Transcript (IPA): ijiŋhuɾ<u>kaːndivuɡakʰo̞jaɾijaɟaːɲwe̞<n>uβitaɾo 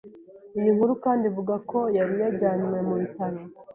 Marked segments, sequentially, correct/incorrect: correct, incorrect

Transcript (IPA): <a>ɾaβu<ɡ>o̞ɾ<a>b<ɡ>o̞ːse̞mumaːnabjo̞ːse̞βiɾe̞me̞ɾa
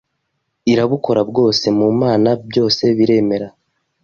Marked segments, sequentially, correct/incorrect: incorrect, incorrect, correct, correct

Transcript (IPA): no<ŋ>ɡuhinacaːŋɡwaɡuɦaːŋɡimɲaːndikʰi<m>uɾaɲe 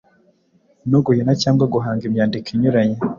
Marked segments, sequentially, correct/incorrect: incorrect, incorrect

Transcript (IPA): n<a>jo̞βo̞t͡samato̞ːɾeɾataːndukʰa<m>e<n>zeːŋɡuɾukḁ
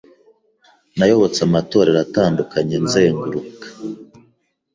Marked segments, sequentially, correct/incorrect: correct, incorrect, correct

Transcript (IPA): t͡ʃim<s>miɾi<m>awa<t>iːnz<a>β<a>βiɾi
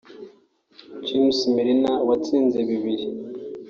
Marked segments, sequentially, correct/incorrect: correct, incorrect, incorrect, incorrect, incorrect

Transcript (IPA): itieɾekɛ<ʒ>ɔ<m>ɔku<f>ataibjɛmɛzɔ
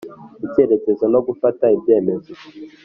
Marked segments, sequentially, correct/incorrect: incorrect, incorrect, correct

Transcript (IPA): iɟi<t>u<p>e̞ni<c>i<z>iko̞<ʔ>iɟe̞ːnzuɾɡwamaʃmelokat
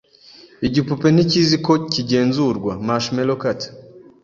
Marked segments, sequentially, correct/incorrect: incorrect, correct, correct, correct, incorrect

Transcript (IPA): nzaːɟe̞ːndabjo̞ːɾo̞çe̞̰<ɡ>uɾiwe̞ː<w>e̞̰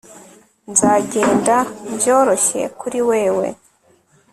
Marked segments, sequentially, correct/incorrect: incorrect, correct

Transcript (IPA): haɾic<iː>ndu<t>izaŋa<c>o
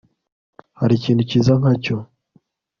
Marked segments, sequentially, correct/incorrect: correct, incorrect, correct

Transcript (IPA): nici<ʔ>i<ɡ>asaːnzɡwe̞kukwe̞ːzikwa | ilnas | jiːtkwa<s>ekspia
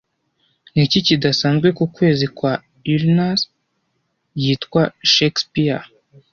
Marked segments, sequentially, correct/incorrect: incorrect, incorrect, incorrect

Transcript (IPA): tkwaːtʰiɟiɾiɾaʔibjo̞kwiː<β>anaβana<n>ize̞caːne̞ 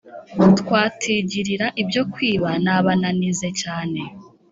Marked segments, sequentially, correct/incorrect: correct, correct

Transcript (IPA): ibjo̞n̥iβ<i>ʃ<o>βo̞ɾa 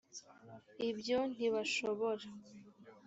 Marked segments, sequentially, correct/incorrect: incorrect, correct

